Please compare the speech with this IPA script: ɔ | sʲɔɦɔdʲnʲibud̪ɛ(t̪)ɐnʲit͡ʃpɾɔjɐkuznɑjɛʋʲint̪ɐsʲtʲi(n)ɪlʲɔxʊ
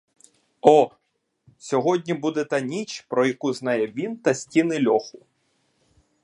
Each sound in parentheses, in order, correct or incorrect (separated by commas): correct, correct